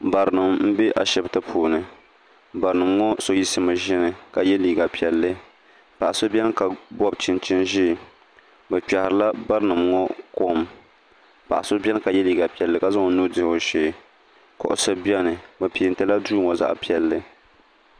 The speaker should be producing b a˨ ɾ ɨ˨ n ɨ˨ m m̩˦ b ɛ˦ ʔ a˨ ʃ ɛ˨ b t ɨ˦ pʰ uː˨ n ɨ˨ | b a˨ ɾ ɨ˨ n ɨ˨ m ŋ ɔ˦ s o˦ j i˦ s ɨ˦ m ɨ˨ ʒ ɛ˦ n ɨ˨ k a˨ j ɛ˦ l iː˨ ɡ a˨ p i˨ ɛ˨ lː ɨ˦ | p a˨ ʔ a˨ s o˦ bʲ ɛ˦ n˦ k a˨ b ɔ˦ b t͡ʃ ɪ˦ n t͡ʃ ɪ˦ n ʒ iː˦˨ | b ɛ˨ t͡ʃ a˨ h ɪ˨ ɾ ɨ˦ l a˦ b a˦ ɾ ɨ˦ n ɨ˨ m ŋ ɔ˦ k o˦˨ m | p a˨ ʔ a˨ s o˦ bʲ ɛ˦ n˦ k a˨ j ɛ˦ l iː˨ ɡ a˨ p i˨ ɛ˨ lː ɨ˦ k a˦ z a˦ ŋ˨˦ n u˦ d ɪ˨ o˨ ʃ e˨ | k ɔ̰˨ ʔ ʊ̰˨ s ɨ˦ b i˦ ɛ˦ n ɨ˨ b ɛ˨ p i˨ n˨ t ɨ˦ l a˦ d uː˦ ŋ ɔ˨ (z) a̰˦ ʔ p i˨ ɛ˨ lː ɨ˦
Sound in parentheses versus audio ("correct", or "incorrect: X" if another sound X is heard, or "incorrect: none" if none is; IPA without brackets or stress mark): correct